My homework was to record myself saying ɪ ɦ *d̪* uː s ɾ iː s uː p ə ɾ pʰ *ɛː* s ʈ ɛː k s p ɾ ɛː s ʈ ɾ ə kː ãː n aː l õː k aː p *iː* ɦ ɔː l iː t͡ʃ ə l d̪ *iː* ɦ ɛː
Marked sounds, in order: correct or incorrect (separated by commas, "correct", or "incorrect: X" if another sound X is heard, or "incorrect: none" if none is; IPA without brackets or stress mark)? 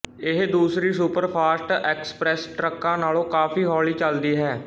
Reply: correct, incorrect: aː, correct, correct